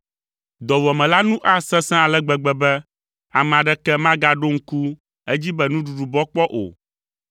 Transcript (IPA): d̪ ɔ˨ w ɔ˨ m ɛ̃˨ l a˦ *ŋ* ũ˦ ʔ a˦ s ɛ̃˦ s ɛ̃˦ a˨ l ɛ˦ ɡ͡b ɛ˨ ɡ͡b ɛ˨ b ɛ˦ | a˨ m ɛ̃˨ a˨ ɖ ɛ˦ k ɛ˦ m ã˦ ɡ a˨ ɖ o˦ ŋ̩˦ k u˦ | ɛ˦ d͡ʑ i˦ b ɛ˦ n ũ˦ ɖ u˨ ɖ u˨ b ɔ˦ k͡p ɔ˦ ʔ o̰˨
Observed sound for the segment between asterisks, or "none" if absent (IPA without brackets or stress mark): n